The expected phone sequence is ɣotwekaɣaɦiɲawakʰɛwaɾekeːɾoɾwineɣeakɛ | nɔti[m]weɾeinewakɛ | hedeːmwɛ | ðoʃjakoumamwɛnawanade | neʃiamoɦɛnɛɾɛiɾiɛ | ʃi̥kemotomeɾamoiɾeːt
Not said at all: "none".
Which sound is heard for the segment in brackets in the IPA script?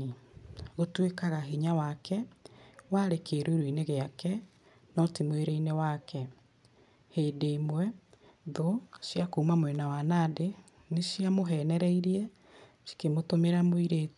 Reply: m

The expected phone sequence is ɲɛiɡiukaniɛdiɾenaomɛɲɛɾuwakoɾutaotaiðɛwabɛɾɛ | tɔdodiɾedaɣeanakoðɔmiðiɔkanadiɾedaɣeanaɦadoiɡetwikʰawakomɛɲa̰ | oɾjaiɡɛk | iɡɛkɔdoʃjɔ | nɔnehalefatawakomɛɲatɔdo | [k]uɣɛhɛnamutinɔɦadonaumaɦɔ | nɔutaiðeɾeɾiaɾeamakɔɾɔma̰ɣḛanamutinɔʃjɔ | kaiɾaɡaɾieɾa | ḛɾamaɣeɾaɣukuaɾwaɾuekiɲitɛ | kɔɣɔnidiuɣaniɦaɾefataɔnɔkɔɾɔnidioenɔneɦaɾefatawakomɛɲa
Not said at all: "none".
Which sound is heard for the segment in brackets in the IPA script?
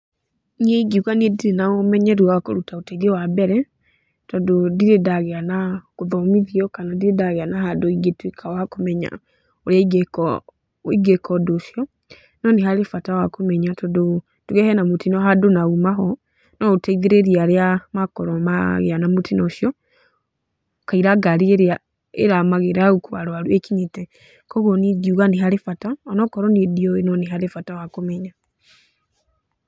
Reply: t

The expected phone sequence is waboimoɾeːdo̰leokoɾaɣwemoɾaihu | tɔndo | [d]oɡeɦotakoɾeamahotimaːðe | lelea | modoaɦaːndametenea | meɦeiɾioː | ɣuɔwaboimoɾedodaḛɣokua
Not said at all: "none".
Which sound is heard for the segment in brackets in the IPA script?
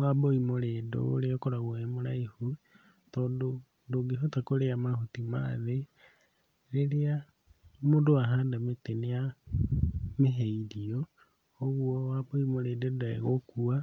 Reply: d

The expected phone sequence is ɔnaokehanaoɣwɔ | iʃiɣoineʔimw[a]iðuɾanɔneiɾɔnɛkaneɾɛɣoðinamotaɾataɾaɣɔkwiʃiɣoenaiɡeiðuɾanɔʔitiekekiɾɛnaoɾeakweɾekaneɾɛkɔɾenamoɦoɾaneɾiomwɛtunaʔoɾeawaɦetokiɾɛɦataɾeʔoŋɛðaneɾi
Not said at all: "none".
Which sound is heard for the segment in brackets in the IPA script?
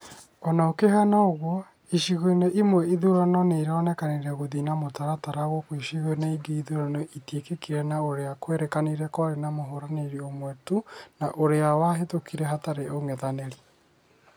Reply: ɛ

